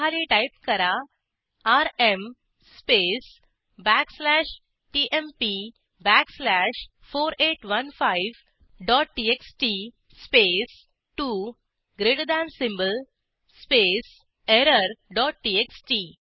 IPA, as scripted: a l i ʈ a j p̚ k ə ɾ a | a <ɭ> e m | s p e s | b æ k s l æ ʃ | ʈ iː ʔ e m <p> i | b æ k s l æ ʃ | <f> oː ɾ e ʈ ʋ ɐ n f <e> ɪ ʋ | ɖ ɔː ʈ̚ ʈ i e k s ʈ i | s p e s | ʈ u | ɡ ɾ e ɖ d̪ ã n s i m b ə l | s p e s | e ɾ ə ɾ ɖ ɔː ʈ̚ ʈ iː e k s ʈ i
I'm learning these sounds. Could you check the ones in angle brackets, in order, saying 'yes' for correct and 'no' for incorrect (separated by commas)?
no, yes, yes, no